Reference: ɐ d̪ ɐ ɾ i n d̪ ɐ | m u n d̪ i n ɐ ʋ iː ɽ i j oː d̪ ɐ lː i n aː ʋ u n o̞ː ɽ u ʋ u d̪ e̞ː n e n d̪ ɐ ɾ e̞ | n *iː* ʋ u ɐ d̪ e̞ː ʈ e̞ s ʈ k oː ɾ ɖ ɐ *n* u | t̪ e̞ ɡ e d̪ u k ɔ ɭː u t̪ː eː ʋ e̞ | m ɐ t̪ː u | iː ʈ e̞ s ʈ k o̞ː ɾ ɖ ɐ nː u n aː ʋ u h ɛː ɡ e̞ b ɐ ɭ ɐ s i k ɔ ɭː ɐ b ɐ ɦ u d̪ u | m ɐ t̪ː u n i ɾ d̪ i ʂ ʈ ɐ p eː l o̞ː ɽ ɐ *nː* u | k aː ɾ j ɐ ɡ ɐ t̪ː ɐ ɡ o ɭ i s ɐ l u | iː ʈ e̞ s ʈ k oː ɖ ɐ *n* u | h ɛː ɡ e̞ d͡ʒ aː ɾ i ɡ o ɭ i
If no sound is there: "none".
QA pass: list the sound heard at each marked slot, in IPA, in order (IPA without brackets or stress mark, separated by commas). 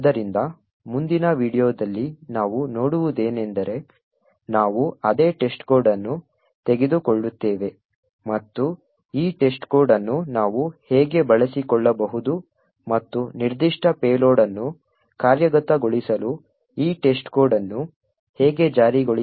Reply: aː, nː, nː, nː